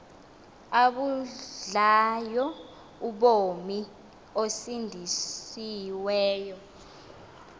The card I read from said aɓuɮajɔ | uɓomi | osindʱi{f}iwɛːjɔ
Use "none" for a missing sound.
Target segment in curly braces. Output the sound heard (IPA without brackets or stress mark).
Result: s